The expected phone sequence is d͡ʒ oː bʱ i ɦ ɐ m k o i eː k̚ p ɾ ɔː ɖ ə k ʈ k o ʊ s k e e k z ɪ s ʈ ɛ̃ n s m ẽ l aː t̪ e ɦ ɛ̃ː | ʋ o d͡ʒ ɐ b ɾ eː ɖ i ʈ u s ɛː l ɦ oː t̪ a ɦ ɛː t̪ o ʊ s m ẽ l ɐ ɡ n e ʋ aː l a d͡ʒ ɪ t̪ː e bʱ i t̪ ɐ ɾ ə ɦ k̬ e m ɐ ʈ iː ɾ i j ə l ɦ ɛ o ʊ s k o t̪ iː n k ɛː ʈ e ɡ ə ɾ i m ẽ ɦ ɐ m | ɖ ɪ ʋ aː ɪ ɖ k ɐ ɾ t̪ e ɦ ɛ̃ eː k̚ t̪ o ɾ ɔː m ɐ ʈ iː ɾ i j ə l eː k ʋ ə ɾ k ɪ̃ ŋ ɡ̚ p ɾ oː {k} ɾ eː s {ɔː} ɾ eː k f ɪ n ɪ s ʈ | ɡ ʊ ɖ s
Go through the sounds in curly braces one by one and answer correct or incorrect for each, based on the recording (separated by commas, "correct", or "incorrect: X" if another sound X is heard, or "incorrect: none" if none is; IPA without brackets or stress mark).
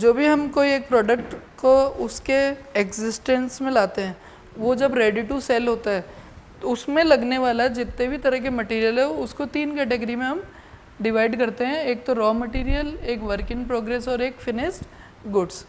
incorrect: ɡ, correct